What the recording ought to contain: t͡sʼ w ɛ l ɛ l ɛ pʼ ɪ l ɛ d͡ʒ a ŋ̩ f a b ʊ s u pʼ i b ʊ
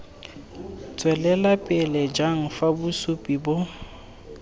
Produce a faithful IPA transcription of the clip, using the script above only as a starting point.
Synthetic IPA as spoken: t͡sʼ w ɛ l ɛ l a pʼ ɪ l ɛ d͡ʒ a ŋ̩ f a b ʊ s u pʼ i b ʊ